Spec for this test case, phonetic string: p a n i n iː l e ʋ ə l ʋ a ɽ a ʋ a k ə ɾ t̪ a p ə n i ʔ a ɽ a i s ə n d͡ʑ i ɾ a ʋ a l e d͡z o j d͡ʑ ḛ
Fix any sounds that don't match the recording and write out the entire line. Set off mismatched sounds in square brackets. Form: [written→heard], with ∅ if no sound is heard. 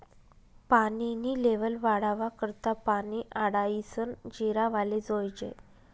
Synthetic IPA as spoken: p a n i n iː l e ʋ ə l ʋ a ɽ a ʋ a k ə ɾ t̪ a p [ə→a] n i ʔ a ɽ a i s ə n d͡ʑ i ɾ a ʋ a l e d͡z o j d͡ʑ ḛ